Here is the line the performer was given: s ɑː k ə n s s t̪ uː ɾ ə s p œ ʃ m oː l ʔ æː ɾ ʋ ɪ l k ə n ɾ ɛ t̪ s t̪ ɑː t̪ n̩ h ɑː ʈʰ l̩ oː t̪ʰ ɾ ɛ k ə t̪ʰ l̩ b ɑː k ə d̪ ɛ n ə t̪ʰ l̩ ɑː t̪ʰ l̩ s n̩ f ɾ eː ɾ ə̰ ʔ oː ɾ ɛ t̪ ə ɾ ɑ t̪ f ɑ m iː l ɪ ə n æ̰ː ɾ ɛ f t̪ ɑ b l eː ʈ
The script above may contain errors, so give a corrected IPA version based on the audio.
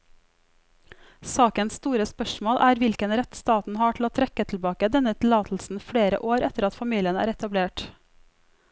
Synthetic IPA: s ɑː k ə n s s t̪ uː ɾ ə s p œ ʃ m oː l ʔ æː ɾ ʋ ɪ l k ə n ɾ ɛ t̪ s t̪ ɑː t̪ n̩ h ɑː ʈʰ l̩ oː t̪ʰ ɾ ɛ k ə t̪ʰ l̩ b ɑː k ə d̪ ɛ n ə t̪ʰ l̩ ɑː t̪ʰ l̩ s n̩ f ɽ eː ɾ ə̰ ʔ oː ɾ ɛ t̪ ə ɾ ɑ t̪ f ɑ m iː l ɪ ə n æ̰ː ɾ ɛ t̪ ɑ b l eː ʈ